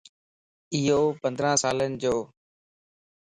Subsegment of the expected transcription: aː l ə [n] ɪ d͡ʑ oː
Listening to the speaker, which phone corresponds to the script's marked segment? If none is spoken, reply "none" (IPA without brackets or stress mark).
n